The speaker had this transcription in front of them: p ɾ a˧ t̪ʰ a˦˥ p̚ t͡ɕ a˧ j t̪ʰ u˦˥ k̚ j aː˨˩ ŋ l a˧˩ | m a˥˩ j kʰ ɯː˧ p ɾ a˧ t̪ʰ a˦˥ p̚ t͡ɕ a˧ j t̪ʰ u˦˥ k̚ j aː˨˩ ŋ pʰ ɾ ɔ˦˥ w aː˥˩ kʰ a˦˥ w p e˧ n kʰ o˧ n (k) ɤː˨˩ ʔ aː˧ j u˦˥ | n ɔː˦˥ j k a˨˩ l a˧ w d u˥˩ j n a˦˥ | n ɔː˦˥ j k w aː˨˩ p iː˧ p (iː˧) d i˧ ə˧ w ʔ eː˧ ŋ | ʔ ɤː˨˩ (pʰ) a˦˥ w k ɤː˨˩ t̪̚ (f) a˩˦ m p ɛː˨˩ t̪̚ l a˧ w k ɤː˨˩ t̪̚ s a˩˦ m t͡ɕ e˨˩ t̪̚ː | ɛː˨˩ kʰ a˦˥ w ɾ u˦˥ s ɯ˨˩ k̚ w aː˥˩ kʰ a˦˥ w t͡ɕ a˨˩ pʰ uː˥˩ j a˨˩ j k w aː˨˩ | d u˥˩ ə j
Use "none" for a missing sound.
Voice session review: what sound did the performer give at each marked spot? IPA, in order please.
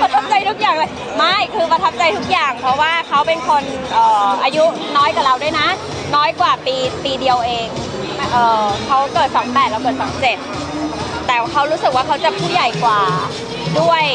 ʔ, iː˧, kʰ, s

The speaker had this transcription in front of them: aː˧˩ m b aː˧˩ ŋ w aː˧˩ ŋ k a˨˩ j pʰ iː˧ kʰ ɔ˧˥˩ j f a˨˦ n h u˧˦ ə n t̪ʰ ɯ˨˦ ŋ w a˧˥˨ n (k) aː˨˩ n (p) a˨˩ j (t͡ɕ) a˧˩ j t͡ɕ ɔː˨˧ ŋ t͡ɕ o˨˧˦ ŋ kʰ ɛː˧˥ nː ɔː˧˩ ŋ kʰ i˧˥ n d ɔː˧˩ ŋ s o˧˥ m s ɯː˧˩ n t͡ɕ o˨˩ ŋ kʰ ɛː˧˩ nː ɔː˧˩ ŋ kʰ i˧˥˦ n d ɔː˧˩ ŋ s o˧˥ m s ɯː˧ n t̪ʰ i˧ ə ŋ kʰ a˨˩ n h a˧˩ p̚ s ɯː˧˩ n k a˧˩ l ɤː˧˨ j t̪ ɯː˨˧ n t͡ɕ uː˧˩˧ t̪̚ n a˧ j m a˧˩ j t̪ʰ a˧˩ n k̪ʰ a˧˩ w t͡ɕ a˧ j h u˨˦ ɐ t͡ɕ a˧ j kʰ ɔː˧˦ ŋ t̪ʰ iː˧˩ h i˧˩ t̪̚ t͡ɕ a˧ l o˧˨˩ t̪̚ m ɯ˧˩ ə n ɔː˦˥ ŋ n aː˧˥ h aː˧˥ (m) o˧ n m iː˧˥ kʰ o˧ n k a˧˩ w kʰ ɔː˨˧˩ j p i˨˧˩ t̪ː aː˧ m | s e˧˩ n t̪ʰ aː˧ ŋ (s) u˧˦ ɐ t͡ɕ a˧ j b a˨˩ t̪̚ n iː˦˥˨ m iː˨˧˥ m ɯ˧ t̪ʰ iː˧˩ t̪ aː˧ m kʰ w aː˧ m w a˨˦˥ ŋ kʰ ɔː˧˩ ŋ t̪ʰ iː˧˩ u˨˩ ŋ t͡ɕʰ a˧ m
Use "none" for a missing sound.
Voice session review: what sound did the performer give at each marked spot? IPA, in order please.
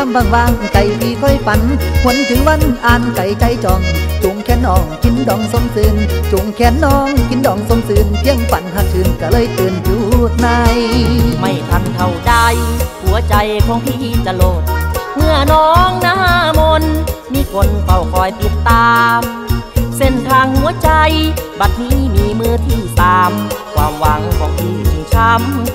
ʔ, k, t͡ɕ, m, h

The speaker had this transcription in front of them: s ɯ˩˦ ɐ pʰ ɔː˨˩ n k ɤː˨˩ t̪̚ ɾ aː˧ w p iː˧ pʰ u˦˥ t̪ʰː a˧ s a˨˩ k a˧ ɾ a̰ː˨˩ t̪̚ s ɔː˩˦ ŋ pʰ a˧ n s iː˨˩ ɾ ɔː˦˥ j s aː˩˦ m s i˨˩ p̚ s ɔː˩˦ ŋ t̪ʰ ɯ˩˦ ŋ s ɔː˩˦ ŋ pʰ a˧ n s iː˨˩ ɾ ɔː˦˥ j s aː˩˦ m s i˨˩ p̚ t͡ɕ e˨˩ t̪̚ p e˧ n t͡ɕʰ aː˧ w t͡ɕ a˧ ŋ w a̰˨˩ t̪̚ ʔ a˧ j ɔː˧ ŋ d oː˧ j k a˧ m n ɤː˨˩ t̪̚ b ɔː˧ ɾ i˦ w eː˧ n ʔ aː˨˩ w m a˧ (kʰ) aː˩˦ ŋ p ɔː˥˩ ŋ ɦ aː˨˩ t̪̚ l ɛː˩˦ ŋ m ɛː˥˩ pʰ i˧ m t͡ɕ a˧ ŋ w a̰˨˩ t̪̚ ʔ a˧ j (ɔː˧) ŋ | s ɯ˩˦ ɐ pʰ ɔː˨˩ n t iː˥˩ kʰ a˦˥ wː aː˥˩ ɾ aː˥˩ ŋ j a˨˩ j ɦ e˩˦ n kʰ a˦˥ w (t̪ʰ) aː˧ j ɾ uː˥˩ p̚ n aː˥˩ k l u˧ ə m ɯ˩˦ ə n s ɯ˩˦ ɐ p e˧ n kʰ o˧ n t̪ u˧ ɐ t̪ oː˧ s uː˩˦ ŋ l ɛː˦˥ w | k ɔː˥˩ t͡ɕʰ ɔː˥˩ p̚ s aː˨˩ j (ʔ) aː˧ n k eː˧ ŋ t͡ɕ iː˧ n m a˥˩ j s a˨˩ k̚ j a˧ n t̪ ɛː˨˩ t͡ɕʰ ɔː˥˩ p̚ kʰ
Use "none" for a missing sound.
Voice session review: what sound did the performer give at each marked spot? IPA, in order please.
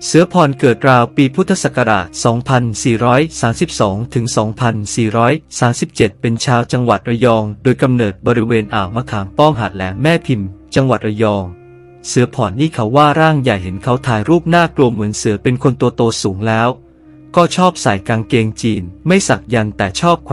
kʰ, ɔː˧, t̪ʰ, k

